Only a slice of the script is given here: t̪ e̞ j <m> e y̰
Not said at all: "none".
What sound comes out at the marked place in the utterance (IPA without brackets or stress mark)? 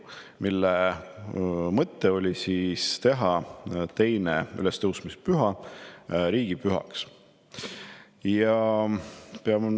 n